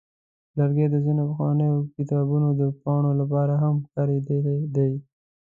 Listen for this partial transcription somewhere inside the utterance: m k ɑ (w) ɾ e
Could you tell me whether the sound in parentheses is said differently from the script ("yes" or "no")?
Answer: yes